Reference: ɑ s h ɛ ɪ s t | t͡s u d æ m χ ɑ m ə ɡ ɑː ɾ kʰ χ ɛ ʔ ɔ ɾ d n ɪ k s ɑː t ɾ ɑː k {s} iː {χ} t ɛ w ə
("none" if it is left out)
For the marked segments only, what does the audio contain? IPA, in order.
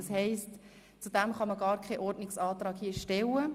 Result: h, ʃ

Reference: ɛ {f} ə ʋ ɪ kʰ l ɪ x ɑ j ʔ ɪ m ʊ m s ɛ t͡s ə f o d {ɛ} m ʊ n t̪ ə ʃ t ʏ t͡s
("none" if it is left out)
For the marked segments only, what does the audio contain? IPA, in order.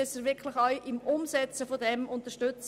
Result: s, ɛ

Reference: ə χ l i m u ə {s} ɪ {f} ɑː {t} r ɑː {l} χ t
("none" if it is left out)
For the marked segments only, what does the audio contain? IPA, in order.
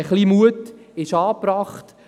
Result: t, ʃ, p, none

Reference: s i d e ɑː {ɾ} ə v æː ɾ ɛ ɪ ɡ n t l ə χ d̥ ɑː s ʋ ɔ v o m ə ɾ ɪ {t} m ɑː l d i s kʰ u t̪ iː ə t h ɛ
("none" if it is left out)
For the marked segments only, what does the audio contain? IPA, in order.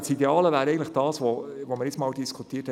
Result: l, t͡s

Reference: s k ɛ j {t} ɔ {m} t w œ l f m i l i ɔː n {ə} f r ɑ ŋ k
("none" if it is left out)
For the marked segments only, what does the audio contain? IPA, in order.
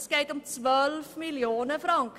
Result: t, m, ə

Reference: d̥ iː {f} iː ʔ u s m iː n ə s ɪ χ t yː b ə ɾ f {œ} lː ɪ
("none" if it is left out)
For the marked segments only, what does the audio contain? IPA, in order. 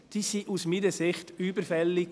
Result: s, ɛ

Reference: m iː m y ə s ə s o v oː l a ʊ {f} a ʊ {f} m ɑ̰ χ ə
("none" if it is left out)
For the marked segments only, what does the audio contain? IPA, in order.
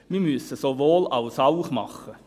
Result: s, χ

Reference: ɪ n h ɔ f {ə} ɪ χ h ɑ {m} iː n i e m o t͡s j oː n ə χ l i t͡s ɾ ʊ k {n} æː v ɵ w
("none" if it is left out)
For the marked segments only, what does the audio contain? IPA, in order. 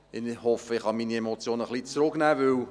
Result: ə, m, n

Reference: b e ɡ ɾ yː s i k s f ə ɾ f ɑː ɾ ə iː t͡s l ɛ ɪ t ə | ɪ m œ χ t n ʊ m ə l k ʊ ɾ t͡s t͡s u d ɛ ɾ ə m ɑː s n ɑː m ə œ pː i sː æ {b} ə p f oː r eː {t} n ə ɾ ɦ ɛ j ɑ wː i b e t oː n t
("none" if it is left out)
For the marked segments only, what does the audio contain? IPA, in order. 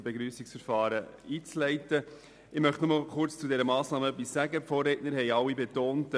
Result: ɡ, t

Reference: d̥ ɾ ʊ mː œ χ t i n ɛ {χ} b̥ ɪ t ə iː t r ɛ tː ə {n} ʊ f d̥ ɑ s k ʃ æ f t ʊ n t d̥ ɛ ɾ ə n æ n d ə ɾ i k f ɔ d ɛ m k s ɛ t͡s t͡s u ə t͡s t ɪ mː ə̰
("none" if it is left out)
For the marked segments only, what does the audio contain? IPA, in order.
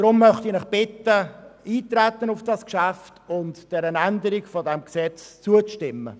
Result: χ, n

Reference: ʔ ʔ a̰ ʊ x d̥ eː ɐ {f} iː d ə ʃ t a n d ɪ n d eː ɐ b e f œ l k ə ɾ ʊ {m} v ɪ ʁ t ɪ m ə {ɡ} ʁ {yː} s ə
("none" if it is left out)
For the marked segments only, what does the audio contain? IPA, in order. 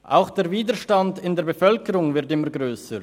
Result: v, ŋ, ɡ, øː

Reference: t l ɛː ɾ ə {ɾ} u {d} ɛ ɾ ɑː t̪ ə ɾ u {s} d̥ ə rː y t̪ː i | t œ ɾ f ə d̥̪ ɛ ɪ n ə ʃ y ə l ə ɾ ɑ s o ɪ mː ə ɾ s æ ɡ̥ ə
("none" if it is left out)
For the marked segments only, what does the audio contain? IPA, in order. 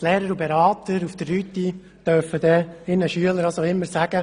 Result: ɾ, b, f

